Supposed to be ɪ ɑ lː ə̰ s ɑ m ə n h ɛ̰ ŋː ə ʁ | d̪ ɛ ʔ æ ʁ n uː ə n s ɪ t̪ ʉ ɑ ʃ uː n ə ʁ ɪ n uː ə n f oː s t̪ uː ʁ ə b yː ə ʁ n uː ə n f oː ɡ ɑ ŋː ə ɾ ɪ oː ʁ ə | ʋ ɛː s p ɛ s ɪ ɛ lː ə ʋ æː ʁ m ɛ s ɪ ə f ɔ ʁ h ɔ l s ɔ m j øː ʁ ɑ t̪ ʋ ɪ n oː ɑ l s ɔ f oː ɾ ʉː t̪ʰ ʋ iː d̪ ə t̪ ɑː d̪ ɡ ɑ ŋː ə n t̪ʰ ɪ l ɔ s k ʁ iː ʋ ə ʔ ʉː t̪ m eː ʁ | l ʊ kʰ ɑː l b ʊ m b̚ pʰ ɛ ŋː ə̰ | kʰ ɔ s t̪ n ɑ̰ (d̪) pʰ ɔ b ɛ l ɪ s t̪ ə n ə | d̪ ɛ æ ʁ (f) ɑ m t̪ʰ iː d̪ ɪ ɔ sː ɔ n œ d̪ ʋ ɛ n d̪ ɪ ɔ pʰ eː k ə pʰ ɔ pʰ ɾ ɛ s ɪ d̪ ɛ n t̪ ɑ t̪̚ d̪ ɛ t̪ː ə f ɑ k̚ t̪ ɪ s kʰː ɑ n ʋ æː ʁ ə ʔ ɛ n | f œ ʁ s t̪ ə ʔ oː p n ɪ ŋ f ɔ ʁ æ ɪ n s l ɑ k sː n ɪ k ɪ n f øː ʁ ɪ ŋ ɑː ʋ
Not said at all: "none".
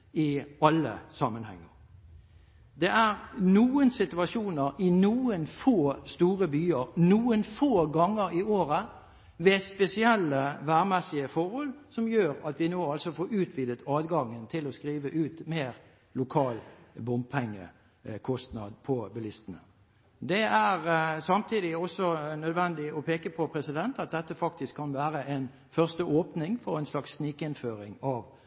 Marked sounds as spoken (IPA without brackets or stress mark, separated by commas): d̪, s